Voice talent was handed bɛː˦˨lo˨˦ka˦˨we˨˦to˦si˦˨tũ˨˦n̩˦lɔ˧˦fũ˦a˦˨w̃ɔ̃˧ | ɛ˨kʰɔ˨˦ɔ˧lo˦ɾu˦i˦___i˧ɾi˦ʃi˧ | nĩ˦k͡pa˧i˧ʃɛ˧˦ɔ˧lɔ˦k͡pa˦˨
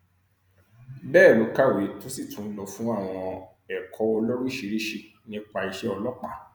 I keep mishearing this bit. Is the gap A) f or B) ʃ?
B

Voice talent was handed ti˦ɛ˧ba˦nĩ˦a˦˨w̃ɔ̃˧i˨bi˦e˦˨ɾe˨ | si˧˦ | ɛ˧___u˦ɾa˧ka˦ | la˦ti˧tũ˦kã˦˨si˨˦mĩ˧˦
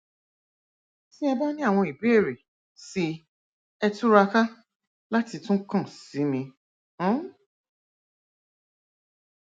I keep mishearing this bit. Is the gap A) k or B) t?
B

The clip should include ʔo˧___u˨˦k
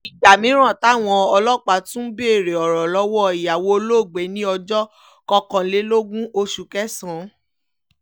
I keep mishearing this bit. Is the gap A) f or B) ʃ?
B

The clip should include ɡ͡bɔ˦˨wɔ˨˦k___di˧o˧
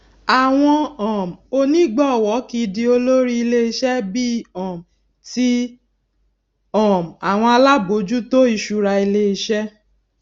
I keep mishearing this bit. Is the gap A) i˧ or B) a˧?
A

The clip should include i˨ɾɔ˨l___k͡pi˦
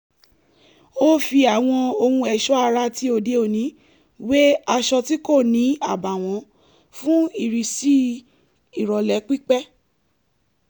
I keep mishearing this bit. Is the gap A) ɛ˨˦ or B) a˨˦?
A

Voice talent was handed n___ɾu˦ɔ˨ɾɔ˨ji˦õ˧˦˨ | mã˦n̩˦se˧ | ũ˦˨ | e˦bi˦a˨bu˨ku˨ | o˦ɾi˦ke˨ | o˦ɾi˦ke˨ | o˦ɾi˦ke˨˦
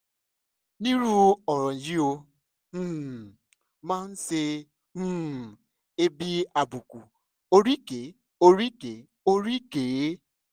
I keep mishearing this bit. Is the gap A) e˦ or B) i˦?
B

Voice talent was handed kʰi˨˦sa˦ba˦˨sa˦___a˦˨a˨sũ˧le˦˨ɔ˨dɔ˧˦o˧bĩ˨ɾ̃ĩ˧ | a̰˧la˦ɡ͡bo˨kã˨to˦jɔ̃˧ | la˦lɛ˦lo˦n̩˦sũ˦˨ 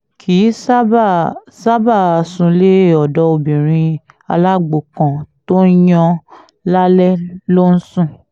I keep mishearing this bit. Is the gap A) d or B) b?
B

